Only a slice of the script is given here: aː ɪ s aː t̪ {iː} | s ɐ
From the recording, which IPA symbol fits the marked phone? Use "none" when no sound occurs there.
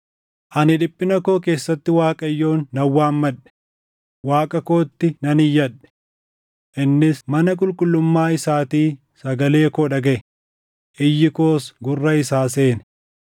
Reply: iː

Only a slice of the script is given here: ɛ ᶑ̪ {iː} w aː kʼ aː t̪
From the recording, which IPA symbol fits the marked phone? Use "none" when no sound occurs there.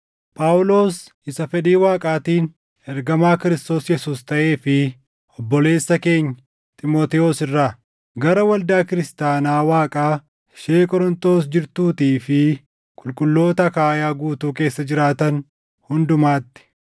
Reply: iː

